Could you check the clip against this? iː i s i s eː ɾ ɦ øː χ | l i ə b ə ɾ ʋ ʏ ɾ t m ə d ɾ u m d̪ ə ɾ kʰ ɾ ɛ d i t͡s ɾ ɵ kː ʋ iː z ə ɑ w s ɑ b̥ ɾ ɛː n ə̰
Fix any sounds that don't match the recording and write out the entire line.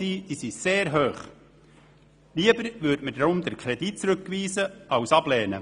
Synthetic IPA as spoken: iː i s i s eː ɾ ɦ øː χ | l i ə b ə ɾ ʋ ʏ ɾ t m ə d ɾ ʊ m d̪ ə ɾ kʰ ɾ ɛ d i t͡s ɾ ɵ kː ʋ iː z ə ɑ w s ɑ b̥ l ɛː n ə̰